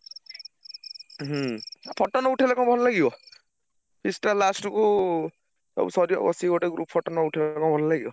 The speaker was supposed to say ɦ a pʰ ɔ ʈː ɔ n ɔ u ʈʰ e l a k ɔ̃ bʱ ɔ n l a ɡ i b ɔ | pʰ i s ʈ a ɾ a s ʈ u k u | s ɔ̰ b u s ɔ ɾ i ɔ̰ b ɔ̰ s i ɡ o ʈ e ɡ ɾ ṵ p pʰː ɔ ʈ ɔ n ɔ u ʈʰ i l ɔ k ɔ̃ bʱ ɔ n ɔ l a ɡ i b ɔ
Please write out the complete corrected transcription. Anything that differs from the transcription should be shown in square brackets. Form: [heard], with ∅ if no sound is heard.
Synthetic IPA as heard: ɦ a pʰ ɔ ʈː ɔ n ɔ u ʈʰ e l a k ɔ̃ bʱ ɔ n l a ɡ i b ɔ | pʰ i s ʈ a [l] a s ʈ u k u | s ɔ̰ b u s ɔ ɾ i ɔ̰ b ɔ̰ s i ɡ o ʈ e ɡ ɾ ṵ p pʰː ɔ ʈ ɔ n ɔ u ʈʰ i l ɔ k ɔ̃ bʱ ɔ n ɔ l a ɡ i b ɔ

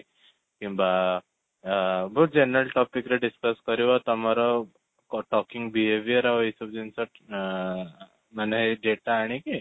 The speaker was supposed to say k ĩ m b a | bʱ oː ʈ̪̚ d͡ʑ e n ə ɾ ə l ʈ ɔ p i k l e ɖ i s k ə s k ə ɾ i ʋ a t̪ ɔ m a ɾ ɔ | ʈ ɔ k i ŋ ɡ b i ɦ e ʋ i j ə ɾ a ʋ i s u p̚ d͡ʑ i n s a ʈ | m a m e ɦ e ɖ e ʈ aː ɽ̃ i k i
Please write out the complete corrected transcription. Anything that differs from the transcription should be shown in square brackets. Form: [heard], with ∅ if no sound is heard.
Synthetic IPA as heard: k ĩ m b a | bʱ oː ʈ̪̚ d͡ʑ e n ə ɾ ə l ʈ ɔ p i k [ɾ] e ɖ i s k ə s k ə ɾ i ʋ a t̪ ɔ m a ɾ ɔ | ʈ ɔ k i ŋ ɡ b i ɦ e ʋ i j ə ɾ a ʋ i s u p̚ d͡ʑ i n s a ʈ | m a [n] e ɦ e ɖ e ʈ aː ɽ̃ i k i

